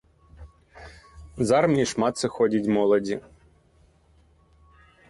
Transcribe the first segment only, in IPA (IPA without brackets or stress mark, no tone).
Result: z